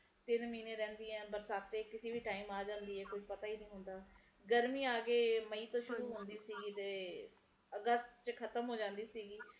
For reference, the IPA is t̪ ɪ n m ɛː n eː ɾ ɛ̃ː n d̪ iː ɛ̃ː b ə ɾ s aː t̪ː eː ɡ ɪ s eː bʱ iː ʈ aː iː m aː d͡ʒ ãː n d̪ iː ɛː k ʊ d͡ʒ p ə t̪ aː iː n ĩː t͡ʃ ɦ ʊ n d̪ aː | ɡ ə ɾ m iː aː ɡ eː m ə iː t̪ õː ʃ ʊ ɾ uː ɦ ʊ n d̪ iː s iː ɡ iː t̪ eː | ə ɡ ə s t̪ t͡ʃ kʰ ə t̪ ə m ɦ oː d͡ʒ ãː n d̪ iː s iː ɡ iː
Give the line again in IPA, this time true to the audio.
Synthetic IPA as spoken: t̪ ɪ n m iː n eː ɾ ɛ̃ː n d̪ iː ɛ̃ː b ə ɾ s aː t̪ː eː k ɪ s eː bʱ iː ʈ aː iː m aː d͡ʒ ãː n d̪ iː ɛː k ʊ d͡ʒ p ə t̪ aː iː n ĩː ɦ ʊ n d̪ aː | ɡ ə ɾ m iː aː ɡ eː m ə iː t̪ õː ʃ ʊ ɾ uː ɦ ʊ n d̪ iː s iː ɡ iː t̪ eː | ə ɡ ə s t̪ t͡ʃ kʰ ə t̪ ə m ɦ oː d͡ʒ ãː n d̪ iː s iː ɡ iː